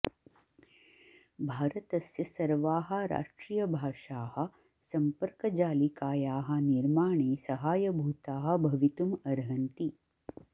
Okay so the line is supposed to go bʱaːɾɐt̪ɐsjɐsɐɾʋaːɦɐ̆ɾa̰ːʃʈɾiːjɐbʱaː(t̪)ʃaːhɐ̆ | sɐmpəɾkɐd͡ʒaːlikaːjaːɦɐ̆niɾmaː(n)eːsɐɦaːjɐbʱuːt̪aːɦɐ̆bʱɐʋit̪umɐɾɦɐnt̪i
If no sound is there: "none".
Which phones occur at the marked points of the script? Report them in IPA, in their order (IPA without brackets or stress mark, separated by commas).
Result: none, ɳ